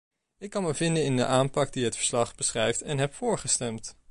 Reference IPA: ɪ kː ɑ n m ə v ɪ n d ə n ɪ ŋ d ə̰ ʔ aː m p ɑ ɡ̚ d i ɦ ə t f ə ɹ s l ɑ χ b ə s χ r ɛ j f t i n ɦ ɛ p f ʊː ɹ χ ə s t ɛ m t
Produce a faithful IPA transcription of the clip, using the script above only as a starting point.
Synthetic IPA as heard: ɪ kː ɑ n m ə v ɪ n d ə n ɪ n d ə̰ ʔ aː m p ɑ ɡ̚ d i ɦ ə t f ə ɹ s l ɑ χ b ə s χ r ɛ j f t ɛ n ɦ ɛ p f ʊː ɹ χ ə s t ɛ m t